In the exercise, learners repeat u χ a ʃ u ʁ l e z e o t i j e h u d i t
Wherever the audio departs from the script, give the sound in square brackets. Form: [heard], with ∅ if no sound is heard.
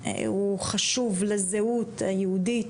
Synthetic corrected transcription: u χ a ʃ u [v] l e z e [u] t [a] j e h u d i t